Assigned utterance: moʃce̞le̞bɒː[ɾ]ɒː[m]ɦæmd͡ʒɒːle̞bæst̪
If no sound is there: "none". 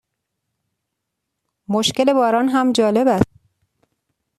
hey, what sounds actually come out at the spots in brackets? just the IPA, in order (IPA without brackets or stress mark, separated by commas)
ɾ, n